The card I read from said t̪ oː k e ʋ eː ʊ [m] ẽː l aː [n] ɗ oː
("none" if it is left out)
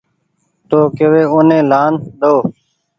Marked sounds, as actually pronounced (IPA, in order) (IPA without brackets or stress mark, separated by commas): n, n